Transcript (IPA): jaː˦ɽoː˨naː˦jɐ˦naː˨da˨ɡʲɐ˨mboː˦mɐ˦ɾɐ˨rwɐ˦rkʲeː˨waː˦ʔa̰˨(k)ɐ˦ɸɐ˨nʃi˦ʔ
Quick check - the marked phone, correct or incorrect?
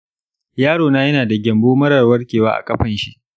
incorrect